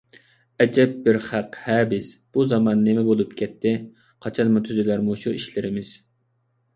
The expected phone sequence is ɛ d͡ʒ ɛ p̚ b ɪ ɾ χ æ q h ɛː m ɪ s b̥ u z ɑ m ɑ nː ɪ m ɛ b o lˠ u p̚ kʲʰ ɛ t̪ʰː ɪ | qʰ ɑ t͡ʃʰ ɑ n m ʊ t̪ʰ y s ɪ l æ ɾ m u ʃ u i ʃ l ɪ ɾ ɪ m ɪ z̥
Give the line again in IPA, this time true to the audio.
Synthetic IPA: ɛ d͡ʒ ɛ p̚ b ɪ ɾ χ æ q h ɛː b ɪ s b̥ u z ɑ m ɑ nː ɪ m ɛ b o lˠ u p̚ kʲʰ ɛ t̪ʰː ɪ | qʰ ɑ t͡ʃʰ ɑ n m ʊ t̪ʰ y z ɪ l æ ɾ m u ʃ u i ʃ l ɪ ɾ ɪ m ɪ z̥